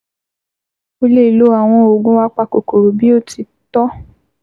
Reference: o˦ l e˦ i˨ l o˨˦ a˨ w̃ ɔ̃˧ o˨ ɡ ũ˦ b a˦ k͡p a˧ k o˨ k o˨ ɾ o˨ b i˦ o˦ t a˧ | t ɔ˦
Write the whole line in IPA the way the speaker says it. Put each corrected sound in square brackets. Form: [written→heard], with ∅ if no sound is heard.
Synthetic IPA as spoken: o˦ l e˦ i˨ l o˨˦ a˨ w̃ ɔ̃˧ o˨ ɡ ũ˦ [b→w] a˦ k͡p a˧ k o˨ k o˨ ɾ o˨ b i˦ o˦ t [a˧→i˧] | t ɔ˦